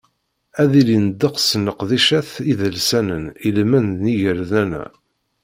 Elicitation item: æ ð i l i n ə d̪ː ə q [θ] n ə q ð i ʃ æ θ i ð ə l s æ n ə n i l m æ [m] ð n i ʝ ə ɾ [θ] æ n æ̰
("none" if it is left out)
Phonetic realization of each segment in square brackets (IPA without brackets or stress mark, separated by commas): s, n, ð